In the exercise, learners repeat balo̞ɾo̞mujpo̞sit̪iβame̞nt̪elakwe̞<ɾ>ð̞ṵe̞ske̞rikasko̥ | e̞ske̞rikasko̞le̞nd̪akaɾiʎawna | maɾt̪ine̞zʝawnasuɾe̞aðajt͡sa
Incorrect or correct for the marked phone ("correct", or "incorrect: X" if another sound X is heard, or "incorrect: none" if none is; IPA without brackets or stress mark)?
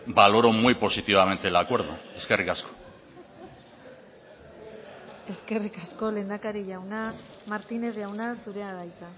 correct